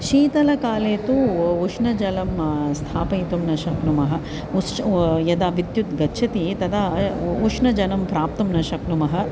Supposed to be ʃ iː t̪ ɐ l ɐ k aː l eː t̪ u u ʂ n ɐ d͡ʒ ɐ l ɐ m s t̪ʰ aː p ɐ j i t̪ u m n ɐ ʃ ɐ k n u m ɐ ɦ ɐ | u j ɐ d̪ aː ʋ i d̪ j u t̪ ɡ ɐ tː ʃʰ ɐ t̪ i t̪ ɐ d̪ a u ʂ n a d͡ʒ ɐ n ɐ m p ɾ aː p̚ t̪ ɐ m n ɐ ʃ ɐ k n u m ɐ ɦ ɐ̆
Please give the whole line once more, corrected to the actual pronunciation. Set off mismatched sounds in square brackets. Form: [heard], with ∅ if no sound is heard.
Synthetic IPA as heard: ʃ iː t̪ ɐ l ɐ k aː l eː t̪ u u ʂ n ɐ d͡ʒ ɐ l ɐ m s t̪ʰ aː p ɐ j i t̪ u m n ɐ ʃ ɐ k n u m ɐ ɦ ɐ | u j ɐ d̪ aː ʋ i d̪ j u t̪ ɡ ɐ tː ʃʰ ɐ t̪ i t̪ ɐ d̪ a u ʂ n [ɐ] d͡ʒ ɐ n ɐ m p ɾ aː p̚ t̪ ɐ m n ɐ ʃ ɐ k n u m ɐ ɦ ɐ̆